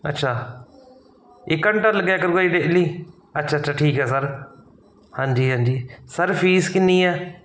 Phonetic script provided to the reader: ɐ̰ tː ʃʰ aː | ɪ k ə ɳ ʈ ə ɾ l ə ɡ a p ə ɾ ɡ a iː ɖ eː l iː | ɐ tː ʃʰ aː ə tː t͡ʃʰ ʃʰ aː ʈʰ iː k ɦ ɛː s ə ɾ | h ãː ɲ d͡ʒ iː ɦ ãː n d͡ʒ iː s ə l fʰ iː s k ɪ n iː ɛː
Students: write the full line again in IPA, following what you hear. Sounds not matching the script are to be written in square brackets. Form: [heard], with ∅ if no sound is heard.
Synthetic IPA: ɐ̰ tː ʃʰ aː | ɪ k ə ɳ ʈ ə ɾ l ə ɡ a [k] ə ɾ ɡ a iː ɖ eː l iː | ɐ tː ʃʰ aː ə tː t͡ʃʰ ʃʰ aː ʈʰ iː k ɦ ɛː s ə ɾ | h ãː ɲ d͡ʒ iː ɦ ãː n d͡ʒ iː s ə [ɾ] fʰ iː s k ɪ n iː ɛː